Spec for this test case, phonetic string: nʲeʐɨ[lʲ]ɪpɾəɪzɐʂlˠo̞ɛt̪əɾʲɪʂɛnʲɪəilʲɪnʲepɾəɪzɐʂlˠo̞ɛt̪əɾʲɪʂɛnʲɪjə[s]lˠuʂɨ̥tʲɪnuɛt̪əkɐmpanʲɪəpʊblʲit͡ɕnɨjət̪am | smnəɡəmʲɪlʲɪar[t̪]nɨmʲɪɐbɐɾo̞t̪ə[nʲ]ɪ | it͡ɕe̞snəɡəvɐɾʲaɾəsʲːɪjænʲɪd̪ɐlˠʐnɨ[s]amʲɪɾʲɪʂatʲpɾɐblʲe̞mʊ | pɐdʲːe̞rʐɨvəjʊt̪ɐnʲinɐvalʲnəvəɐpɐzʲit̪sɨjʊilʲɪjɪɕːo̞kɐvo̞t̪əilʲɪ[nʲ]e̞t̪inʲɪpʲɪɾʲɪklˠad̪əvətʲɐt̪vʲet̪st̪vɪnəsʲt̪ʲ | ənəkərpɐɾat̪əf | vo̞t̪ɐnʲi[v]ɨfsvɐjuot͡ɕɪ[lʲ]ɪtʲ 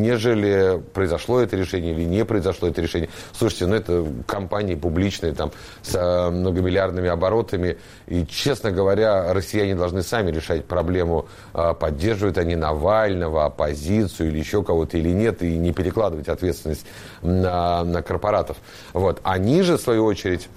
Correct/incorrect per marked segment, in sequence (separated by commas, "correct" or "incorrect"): correct, correct, incorrect, incorrect, correct, correct, incorrect, incorrect